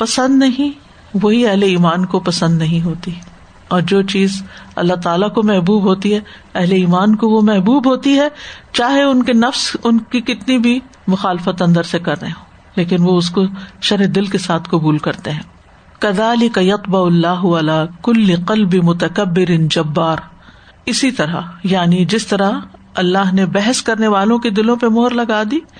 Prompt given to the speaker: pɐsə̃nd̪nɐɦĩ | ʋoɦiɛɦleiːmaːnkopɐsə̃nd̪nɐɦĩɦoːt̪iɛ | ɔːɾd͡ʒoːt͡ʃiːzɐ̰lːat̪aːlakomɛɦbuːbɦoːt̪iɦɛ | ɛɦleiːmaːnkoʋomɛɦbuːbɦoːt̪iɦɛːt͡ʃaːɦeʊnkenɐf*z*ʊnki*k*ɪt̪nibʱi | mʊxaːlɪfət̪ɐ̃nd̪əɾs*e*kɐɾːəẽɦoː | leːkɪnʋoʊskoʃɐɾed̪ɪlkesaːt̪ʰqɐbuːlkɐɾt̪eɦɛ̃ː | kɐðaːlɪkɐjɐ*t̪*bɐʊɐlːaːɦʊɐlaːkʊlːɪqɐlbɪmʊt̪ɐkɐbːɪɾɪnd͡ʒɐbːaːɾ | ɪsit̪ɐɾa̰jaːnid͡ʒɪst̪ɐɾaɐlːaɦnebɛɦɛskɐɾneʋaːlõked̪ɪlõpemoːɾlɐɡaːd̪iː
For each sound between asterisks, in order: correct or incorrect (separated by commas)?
incorrect, correct, correct, correct